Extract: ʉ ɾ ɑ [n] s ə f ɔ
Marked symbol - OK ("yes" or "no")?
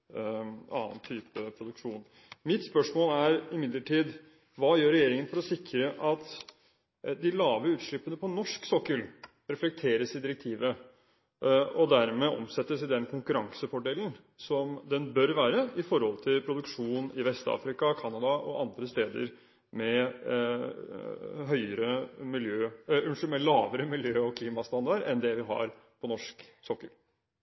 no